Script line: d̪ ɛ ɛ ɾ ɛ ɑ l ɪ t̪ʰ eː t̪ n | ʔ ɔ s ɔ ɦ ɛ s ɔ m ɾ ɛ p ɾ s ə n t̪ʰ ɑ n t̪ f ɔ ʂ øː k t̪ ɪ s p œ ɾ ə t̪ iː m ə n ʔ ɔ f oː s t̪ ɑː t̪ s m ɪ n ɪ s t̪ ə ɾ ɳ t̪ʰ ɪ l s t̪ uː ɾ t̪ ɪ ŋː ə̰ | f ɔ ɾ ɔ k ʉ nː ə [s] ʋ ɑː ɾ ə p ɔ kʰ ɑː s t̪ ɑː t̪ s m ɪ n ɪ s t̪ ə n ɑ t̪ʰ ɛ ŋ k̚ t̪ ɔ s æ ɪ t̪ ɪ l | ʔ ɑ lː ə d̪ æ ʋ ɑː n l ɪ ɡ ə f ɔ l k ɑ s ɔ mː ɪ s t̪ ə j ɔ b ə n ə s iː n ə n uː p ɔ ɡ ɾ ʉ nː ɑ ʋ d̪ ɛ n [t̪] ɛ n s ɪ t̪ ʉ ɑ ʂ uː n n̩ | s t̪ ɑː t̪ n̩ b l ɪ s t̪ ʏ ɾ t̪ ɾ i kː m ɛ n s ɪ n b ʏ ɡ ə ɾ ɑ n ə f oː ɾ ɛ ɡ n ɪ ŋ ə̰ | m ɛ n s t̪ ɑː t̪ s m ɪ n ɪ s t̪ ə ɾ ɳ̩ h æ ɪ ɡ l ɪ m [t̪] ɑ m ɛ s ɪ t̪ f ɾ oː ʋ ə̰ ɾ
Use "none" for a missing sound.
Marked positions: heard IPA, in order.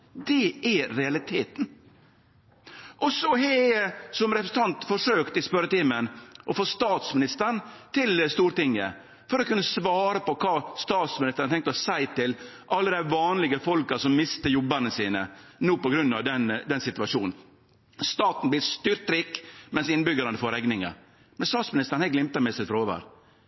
s, d̪, t̪

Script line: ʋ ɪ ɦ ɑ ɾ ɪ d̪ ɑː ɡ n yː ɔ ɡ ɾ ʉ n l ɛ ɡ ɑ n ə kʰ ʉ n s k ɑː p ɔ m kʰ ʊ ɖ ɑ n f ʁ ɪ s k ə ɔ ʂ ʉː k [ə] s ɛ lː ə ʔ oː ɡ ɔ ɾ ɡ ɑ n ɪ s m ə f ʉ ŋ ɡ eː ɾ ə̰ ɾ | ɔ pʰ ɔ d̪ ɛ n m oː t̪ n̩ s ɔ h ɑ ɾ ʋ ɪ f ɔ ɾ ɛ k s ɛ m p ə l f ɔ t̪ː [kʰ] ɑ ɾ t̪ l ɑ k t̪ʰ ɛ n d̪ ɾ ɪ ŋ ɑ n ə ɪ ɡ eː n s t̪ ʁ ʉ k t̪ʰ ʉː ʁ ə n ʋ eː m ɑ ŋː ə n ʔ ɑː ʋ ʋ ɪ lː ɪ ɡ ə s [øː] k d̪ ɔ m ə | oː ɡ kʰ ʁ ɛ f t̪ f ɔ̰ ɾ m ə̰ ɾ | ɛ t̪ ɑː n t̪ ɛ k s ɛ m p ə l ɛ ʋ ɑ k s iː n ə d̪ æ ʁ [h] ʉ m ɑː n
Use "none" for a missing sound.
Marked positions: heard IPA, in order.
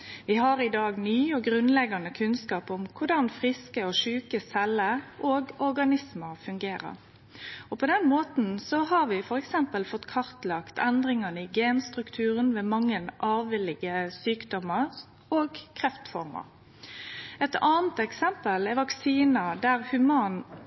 ə, kʰ, yː, h

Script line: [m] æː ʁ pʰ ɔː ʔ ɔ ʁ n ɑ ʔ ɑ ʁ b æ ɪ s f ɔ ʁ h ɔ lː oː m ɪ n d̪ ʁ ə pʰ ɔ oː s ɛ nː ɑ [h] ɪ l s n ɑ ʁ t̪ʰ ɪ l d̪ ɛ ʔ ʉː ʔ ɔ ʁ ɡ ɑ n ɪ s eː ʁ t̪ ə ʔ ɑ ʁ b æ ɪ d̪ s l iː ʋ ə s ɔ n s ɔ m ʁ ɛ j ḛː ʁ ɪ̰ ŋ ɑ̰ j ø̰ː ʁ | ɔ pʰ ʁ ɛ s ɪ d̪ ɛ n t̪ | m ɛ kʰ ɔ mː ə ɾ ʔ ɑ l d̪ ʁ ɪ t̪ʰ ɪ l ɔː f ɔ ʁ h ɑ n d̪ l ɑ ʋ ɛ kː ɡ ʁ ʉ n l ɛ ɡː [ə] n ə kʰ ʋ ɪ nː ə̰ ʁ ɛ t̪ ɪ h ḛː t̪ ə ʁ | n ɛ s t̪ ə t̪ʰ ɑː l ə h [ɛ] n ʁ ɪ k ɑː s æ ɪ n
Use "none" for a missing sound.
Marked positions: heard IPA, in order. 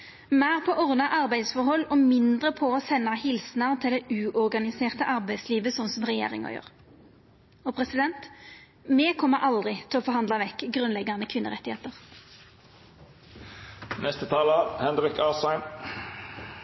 m, h, ɑ, ɛ

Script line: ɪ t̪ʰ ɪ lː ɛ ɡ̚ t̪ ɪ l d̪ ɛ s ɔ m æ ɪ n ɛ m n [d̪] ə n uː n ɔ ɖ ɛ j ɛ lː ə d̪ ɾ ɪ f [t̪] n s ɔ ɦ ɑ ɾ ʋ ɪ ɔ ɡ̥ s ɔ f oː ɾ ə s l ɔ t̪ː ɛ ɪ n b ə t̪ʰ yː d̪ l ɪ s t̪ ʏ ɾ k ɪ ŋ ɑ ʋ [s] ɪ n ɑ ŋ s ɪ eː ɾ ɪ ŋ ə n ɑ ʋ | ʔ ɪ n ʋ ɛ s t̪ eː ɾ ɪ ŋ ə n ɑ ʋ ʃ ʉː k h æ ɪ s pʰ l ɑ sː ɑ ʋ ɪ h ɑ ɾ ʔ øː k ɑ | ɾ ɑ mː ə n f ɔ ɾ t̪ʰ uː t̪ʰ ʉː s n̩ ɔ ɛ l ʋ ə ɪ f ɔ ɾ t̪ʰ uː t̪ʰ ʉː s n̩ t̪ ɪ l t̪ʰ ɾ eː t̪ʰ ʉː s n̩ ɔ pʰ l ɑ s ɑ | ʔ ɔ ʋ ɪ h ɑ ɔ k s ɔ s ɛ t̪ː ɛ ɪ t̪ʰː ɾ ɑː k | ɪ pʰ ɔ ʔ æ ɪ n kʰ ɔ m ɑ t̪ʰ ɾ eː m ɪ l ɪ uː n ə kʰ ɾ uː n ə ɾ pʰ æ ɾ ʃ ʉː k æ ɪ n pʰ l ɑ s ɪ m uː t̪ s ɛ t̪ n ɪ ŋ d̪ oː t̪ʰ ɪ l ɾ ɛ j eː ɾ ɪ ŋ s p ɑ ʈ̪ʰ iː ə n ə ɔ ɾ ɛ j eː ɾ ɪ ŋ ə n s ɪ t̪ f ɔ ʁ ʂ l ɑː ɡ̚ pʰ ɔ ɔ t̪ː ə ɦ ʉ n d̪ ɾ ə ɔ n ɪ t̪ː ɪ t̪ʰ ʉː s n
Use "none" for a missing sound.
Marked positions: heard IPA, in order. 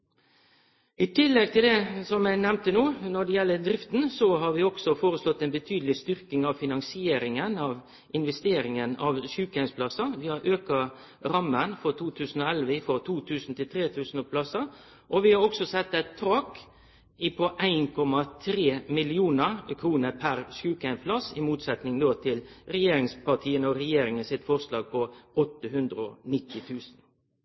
t̪, t̪, f

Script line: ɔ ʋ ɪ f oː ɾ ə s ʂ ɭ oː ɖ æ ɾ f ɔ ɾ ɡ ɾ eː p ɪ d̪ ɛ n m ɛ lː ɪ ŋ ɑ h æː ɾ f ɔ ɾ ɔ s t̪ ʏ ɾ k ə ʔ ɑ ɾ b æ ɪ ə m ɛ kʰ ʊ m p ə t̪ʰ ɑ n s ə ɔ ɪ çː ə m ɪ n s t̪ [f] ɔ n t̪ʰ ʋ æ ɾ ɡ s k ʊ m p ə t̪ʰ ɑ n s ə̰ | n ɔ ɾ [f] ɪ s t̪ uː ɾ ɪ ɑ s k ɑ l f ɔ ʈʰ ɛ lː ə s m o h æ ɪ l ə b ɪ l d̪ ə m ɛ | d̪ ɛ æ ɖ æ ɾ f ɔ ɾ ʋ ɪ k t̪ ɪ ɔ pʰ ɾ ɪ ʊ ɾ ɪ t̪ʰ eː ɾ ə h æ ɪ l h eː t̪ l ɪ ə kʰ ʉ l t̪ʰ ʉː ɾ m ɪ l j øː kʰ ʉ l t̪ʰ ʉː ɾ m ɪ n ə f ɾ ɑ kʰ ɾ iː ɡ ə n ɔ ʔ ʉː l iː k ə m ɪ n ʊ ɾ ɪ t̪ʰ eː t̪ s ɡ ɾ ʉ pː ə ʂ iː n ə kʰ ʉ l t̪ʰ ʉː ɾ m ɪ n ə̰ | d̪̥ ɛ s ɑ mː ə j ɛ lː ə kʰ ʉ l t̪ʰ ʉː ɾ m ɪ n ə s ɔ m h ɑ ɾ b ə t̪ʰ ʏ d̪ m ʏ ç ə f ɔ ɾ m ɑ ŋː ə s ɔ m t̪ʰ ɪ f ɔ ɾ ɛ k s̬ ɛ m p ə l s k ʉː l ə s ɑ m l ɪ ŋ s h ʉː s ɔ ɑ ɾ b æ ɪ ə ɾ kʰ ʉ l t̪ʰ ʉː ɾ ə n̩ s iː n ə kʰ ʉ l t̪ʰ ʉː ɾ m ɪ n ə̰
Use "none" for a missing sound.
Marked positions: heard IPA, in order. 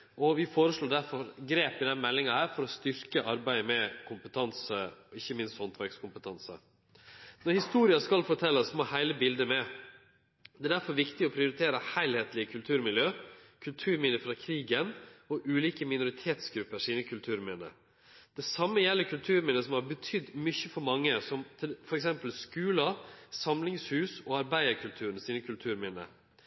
h, h

